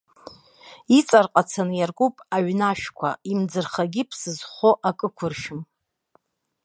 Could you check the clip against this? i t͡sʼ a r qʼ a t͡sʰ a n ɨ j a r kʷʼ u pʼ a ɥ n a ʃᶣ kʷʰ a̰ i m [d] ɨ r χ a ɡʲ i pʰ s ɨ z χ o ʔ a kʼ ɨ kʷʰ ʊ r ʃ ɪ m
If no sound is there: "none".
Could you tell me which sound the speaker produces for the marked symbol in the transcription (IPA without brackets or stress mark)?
d͡z